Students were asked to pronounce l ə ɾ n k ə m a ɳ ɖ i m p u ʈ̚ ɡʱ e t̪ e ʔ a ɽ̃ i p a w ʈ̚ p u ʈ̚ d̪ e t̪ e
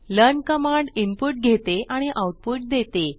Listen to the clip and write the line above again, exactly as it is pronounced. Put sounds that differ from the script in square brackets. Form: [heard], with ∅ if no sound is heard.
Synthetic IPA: l ə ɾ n k ə m a ɳ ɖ i m p u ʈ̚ ɡʱ e t̪ e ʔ a ɽ̃ i [ʔ] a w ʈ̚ p u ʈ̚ d̪ e t̪ e